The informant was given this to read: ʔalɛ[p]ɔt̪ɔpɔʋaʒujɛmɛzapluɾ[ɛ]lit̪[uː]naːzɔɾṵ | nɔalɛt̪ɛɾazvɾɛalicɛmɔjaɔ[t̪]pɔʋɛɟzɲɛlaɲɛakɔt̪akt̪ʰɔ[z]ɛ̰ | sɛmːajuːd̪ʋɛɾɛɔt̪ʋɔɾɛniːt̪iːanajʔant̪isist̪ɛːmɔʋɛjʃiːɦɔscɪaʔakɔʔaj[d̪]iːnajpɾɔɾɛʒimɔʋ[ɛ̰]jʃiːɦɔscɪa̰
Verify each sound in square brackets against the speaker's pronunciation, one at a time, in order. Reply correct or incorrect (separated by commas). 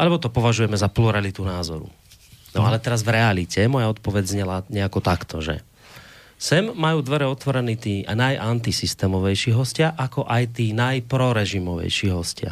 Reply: incorrect, incorrect, incorrect, correct, incorrect, incorrect, correct